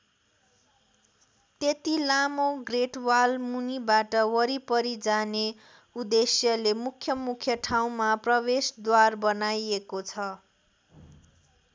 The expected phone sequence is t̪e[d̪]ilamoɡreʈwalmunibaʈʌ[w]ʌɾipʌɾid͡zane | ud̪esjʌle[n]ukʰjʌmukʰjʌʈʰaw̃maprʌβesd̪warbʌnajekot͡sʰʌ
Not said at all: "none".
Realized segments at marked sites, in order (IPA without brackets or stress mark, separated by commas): t̪, w, m